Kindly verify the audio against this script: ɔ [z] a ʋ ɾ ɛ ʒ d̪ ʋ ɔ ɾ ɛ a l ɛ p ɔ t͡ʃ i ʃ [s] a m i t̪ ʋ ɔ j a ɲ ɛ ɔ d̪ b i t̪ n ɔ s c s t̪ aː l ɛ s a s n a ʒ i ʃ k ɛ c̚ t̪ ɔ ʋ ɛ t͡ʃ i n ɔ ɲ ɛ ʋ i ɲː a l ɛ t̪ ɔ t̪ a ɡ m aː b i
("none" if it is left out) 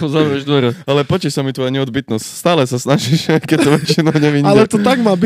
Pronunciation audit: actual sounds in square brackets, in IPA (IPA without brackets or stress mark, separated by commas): z, s